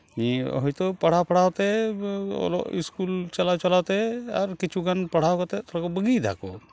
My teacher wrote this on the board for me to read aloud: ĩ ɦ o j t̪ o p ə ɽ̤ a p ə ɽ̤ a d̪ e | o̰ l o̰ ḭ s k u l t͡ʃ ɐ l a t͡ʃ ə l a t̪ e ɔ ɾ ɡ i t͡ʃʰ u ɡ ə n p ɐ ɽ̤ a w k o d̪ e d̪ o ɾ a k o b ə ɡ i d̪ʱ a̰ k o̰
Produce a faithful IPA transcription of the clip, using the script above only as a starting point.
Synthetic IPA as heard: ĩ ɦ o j t̪ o p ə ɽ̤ a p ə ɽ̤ a t̪ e | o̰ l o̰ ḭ s k u l t͡ʃ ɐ l a t͡ʃ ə l a t̪ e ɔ ɾ k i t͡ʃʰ u ɡ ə n p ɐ ɽ̤ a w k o t̪ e t̪ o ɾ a k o b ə ɡ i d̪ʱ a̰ k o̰